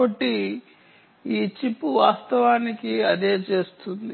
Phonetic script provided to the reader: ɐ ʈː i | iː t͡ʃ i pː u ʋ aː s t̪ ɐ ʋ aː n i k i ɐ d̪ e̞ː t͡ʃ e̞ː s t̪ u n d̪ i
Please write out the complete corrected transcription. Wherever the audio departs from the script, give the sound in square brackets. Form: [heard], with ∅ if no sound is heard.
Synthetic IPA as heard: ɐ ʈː i | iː t͡ʃ i pː u ʋ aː s t̪ ɐ ʋ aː n i k i ɐ d̪ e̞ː t͡ʃ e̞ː s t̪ u n d̪ i